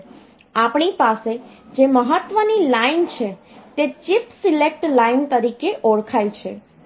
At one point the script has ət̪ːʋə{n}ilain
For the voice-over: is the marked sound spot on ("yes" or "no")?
yes